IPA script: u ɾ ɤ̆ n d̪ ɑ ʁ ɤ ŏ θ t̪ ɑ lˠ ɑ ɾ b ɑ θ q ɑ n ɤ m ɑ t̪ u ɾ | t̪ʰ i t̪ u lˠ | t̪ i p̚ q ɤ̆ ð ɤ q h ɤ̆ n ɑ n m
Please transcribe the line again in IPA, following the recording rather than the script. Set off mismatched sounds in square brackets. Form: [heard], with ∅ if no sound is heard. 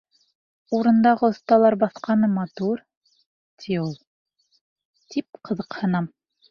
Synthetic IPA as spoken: u ɾ ɤ̆ n d̪ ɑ ʁ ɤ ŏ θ t̪ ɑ lˠ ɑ ɾ b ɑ θ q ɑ n ɤ m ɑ t̪ u ɾ | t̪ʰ i [∅] u lˠ | t̪ i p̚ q ɤ̆ ð ɤ q h ɤ̆ n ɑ [∅] m